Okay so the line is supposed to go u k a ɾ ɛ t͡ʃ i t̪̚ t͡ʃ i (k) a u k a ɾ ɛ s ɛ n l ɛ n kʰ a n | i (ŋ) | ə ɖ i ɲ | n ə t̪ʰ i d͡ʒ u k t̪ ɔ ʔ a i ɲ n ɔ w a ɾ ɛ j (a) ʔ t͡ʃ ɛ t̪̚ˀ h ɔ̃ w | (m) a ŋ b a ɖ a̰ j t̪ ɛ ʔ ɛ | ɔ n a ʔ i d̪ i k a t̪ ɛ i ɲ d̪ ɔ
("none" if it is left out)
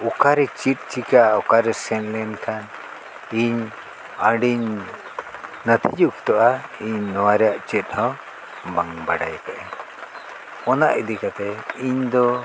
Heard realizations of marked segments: k, ɲ, a, b

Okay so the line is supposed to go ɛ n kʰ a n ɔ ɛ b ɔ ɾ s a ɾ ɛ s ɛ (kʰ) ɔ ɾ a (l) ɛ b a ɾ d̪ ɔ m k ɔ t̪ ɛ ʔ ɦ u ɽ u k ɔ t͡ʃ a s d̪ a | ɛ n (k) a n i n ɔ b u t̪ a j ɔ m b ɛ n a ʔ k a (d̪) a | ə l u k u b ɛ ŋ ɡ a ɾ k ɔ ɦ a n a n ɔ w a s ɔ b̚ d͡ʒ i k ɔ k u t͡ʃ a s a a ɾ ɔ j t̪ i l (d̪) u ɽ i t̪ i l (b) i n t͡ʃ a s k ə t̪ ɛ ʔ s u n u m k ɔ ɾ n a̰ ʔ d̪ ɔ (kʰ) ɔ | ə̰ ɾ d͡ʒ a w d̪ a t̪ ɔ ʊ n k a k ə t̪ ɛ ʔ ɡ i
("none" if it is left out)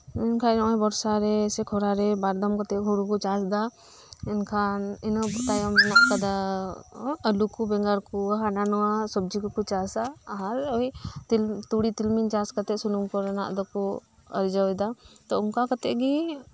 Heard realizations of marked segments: kʰ, ɾ, kʰ, d̪, t̪, m, k

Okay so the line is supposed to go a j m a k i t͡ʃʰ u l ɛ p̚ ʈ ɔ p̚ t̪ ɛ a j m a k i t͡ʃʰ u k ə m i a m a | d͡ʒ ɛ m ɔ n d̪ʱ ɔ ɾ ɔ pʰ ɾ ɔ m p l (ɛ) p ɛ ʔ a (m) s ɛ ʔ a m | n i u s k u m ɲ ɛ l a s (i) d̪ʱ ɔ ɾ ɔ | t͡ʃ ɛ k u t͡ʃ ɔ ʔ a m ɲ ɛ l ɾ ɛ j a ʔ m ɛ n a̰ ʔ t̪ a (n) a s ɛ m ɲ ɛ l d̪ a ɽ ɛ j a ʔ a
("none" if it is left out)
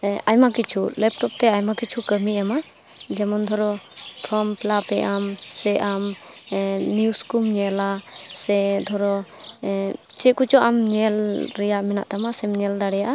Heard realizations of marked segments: a, m, ɛ, m

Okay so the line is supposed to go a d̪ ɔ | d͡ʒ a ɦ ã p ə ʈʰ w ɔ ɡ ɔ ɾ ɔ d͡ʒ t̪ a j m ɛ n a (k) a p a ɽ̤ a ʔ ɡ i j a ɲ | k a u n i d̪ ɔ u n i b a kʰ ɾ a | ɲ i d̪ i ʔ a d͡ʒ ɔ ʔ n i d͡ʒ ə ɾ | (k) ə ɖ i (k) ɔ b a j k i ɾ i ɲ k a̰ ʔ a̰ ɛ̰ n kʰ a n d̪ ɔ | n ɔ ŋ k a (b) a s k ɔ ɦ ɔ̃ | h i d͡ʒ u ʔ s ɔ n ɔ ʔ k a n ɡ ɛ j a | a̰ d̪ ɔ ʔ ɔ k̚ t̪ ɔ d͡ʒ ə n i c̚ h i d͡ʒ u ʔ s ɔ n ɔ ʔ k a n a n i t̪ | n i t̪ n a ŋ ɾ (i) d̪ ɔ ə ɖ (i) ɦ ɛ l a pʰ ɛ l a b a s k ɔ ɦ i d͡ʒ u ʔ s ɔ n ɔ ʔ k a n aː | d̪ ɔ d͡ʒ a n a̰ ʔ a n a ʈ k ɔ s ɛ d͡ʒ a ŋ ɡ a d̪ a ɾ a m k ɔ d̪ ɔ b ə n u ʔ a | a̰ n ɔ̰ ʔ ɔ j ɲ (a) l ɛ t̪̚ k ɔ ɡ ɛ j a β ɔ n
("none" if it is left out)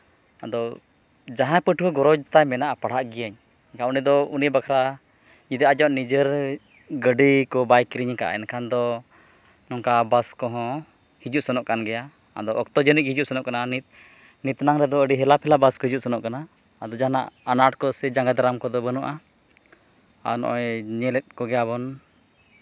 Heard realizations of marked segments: ʔ, ɡ, k, b, ɛ, i, ɛ

